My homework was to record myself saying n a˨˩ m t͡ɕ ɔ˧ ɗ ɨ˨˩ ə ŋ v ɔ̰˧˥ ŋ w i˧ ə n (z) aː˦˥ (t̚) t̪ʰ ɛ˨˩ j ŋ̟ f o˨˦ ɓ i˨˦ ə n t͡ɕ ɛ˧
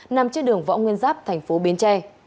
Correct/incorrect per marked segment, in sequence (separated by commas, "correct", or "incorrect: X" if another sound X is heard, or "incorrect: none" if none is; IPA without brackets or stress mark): correct, incorrect: p̚